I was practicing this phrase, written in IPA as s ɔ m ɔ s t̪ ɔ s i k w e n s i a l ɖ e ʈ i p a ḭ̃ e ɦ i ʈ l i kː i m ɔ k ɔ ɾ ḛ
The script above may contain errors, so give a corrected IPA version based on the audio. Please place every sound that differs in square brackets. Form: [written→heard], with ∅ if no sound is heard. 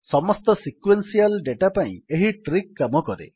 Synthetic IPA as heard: s ɔ m ɔ s t̪ ɔ s i k w e n s i a l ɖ e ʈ [i→a] p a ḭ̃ e ɦ i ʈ [l→ɾ] i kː [i→a] m ɔ k ɔ ɾ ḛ